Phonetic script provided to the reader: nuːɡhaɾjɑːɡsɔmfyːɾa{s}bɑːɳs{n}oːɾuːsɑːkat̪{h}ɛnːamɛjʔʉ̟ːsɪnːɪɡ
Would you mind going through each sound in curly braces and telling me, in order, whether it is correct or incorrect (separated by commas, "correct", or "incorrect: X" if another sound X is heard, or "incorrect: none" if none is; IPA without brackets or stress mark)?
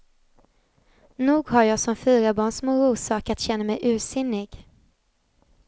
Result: incorrect: none, incorrect: m, incorrect: ɕ